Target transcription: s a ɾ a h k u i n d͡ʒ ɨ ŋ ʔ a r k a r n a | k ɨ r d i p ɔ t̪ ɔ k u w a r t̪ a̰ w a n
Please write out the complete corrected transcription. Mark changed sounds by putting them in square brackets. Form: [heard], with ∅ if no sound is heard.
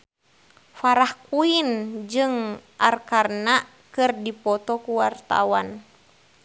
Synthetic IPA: [f] a ɾ a h k u i n d͡ʒ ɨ ŋ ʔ a r k a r n a | k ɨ r d i p ɔ t̪ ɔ k u w a r t̪ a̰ w a n